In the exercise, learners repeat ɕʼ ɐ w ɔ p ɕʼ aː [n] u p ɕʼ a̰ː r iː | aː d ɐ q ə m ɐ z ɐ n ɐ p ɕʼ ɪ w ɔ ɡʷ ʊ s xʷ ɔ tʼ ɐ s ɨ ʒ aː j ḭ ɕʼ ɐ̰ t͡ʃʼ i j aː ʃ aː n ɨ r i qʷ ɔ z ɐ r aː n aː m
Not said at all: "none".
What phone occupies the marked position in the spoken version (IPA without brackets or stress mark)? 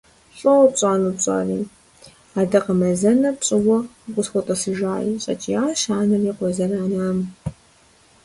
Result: n